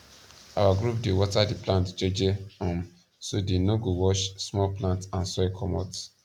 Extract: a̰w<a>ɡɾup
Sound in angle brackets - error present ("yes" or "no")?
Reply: no